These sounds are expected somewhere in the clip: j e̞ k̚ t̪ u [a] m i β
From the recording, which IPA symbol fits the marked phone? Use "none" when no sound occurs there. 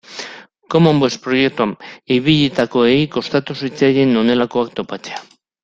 a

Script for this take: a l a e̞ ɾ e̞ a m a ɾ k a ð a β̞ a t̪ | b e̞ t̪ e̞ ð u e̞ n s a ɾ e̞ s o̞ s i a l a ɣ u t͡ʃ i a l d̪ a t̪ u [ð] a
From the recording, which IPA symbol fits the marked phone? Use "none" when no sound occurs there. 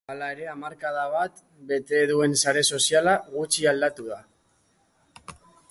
ð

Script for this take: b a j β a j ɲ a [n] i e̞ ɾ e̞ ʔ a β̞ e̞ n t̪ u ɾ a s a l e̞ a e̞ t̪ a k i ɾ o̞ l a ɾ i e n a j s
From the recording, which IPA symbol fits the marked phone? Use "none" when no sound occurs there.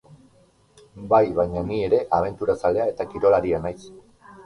n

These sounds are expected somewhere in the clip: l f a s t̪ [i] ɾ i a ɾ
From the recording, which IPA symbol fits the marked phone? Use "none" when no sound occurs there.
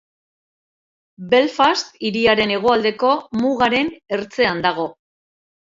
i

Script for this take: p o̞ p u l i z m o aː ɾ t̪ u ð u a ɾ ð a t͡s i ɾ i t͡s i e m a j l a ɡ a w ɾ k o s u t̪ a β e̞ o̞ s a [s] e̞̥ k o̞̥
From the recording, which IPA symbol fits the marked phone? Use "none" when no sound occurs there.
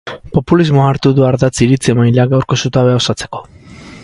t͡s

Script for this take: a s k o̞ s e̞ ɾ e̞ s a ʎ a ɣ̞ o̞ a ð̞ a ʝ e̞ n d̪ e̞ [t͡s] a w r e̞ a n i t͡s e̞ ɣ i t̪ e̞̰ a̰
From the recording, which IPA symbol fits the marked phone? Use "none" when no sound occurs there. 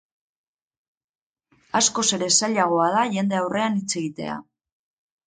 none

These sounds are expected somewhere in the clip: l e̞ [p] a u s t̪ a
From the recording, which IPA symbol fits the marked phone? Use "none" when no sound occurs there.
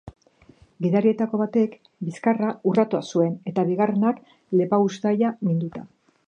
p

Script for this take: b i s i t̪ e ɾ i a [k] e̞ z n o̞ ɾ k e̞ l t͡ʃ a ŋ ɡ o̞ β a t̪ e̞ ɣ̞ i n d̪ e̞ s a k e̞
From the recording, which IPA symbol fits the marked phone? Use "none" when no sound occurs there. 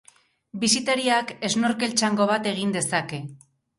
k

